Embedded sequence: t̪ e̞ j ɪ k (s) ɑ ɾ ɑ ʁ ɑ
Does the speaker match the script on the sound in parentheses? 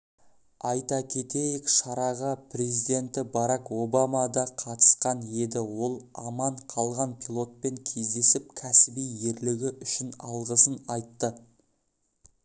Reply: no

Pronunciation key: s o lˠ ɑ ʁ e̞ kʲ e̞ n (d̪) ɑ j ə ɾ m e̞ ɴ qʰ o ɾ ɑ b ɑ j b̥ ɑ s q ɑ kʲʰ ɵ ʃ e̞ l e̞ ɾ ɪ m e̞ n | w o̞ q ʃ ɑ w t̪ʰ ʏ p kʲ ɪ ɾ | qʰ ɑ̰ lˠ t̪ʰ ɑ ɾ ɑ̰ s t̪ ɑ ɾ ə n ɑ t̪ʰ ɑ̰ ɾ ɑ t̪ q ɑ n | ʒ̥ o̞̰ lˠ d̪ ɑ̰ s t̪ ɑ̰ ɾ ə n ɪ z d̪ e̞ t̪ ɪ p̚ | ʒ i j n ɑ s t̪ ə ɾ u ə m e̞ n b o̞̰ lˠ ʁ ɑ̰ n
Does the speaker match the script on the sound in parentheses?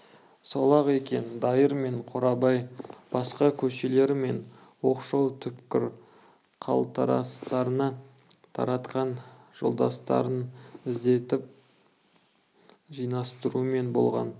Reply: yes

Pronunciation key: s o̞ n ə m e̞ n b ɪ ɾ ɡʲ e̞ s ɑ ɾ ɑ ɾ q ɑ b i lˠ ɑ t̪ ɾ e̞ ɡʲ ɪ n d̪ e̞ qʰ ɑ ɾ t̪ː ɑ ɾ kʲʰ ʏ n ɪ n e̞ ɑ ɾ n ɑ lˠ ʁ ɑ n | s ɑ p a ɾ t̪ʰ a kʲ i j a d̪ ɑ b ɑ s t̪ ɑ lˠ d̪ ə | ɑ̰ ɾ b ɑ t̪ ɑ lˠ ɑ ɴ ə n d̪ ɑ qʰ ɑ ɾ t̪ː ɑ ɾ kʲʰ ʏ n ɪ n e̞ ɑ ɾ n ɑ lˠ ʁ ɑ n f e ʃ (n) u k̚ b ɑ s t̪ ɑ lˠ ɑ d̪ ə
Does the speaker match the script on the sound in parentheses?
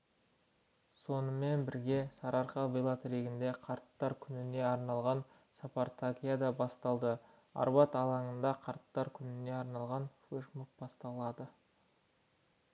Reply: no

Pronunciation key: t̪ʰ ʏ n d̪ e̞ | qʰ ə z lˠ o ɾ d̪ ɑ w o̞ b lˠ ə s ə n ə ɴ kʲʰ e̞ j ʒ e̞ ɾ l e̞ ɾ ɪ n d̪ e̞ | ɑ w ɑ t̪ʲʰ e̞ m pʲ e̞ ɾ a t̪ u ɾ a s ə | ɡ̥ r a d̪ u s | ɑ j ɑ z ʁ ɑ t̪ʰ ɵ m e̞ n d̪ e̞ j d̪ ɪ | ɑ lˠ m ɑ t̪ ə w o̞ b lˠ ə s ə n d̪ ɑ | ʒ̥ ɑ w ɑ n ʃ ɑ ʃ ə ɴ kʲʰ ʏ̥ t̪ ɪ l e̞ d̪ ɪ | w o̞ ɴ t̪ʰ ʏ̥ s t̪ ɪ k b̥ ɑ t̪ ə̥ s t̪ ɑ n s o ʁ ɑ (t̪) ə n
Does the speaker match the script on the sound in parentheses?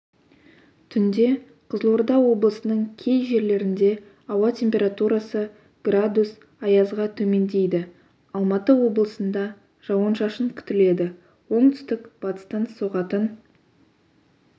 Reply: yes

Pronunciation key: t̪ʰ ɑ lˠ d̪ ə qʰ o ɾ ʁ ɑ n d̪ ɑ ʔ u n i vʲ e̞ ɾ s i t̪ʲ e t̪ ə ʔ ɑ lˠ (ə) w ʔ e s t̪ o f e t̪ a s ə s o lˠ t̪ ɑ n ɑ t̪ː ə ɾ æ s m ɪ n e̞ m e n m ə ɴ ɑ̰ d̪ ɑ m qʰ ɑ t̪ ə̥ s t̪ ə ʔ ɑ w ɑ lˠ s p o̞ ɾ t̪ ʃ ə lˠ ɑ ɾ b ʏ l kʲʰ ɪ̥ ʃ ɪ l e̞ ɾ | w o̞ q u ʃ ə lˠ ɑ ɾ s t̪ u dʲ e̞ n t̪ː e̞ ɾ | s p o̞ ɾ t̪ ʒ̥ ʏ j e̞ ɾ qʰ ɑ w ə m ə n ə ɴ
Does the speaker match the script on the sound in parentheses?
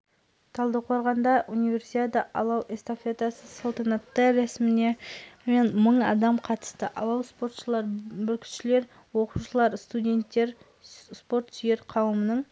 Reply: no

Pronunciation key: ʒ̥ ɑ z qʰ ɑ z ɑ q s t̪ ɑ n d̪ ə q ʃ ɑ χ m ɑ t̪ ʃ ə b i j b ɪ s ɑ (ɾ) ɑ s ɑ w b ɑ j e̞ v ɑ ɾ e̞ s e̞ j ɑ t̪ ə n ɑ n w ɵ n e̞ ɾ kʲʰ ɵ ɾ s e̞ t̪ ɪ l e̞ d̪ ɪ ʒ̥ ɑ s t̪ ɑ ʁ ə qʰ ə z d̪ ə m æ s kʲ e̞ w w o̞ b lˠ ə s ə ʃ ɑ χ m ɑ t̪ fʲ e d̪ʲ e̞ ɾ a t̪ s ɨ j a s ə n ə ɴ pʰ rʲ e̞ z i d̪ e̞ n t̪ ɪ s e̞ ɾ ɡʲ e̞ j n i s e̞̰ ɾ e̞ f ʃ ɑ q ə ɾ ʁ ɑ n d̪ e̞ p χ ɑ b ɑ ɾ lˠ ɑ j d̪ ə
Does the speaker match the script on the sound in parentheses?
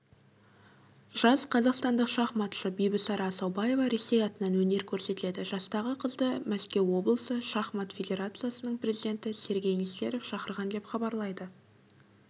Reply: yes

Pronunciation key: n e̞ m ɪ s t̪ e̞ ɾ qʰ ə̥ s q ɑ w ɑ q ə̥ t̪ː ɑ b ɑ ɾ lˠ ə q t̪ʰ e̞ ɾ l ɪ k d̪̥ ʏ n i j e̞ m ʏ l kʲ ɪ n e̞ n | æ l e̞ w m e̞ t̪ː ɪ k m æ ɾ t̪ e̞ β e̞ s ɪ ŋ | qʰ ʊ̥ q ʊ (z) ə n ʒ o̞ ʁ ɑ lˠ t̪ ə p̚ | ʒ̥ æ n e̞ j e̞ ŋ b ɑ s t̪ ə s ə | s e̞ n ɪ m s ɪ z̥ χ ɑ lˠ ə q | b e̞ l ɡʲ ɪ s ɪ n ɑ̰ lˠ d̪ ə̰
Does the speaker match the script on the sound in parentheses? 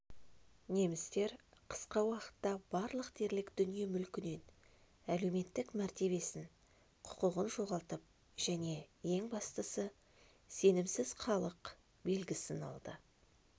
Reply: no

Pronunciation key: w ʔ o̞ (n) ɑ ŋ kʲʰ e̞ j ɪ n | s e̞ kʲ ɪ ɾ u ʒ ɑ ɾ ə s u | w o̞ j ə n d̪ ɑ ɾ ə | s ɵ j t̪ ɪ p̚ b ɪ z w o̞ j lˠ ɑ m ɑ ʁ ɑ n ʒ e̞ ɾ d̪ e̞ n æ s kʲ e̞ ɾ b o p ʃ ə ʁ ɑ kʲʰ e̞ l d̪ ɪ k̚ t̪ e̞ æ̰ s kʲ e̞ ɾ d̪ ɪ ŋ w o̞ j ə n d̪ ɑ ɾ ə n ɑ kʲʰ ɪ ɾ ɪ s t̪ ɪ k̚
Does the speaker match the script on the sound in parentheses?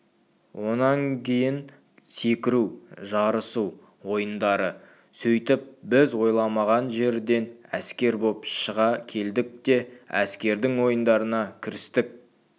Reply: yes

